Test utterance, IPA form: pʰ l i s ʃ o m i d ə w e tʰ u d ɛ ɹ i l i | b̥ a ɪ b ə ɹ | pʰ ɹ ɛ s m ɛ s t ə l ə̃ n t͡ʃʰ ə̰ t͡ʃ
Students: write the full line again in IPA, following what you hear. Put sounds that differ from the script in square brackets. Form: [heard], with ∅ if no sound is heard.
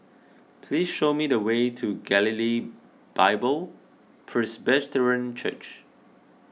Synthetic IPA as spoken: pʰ l i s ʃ o m i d ə w e tʰ u [ɡ] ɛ [l] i l i | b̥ a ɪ b ə [l] | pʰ ɹ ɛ s [b] ɛ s t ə [ɹ] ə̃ n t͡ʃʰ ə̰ t͡ʃ